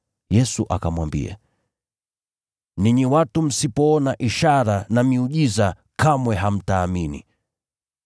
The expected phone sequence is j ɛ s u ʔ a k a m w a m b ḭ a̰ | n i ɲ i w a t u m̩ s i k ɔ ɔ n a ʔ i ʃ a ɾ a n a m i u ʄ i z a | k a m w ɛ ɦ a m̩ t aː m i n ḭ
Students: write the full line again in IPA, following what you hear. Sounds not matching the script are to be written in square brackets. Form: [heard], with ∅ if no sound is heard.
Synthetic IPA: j ɛ s u ʔ a k a m w a m b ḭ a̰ | n i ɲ i w a t u m̩ s i [p] ɔ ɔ n a ʔ i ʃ a ɾ a n a m i u ʄ i z a | k a m w ɛ ɦ a m̩ t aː m i n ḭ